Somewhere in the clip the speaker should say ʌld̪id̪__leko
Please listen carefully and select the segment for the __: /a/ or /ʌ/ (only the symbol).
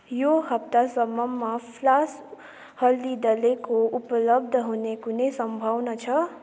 ʌ